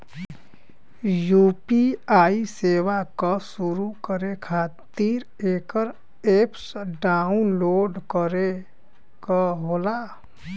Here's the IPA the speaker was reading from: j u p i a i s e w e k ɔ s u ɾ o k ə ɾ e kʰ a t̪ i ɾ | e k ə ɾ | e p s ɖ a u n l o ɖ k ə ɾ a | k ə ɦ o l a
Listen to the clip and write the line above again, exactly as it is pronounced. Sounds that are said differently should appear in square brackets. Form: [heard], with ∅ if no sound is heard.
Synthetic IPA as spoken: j u p i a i s e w [a] k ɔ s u ɾ [u] k ə ɾ e kʰ a t̪ i ɾ | e k ə ɾ | e p s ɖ a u n l o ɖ k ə ɾ [e] | k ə ɦ o l a